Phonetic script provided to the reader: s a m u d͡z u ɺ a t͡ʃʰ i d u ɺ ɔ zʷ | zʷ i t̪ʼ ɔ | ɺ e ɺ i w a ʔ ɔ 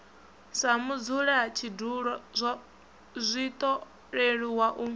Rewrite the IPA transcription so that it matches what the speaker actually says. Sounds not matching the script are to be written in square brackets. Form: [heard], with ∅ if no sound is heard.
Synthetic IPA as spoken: s a m u d͡z u ɺ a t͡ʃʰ i d u ɺ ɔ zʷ | zʷ i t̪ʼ ɔ | ɺ e ɺ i w a ʔ [u]